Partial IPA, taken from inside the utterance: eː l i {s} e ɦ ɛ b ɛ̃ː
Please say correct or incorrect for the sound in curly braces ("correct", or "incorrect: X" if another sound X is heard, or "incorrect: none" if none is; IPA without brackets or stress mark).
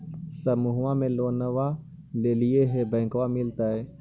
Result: incorrect: none